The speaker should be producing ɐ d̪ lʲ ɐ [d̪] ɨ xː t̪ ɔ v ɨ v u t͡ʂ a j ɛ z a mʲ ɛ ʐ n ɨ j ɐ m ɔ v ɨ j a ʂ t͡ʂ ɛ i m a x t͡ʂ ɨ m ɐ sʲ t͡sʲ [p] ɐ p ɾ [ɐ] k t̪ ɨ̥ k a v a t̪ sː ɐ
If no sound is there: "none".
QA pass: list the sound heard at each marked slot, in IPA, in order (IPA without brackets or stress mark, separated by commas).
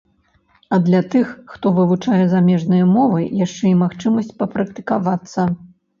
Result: t̪, p, ɐ